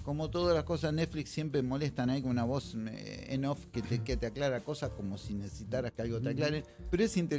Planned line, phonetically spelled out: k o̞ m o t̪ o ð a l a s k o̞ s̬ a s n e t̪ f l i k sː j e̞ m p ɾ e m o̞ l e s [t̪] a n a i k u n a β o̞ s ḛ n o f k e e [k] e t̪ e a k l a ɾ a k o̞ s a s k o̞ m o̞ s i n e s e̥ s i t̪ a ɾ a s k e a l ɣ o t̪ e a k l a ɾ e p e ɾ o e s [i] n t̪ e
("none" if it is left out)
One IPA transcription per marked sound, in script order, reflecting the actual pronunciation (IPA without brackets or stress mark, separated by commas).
t̪, k, i